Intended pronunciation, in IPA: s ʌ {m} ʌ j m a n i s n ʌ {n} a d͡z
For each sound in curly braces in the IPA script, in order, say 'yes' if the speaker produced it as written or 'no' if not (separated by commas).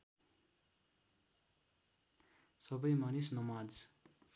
no, no